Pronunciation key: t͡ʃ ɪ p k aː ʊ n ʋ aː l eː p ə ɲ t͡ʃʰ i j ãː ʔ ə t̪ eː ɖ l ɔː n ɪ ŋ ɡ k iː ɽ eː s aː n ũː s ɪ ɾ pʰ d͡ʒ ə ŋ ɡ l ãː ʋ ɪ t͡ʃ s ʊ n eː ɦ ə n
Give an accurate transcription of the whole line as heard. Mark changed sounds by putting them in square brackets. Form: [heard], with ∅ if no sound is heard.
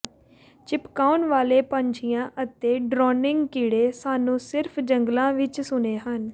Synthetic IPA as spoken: t͡ʃ ɪ p k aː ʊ n ʋ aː l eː p ə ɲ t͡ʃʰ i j ãː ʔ ə t̪ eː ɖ [ɾ] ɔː n ɪ ŋ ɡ k iː ɽ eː s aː n ũː s ɪ ɾ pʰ d͡ʒ ə ŋ ɡ l ãː ʋ ɪ t͡ʃ s ʊ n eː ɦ ə n